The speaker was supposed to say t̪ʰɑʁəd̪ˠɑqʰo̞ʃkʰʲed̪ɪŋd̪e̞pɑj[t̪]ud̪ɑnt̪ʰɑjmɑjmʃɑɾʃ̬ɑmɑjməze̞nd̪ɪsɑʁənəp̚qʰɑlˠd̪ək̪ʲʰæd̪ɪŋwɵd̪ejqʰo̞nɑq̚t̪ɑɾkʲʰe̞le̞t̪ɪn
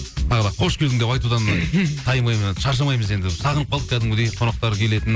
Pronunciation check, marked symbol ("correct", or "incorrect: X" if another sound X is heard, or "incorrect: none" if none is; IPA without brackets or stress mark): correct